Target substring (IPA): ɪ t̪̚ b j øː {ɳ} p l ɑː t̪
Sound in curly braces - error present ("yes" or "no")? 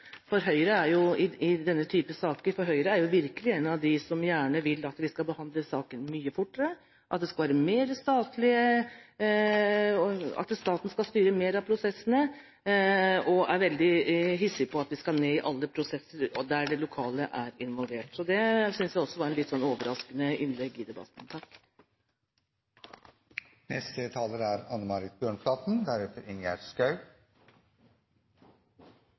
no